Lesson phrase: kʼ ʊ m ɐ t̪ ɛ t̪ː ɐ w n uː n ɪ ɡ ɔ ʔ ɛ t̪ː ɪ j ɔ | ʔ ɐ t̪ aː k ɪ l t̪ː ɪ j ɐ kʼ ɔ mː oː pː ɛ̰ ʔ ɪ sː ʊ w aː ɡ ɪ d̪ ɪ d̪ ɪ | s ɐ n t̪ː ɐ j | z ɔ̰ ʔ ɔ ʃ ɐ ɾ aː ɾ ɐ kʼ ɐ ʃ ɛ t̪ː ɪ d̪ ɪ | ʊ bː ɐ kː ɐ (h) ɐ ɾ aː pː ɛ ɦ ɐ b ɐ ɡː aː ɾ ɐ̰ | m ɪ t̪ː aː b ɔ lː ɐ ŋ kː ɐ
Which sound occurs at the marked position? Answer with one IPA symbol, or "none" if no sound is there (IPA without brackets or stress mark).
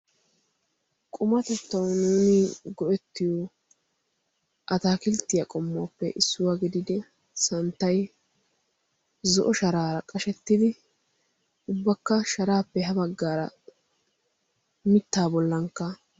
ʃ